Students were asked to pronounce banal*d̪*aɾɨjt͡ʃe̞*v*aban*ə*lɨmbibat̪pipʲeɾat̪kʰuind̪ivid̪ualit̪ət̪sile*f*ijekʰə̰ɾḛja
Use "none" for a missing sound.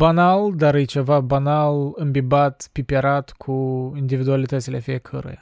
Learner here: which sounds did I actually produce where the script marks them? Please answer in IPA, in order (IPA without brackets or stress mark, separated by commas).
d̪, v, a, f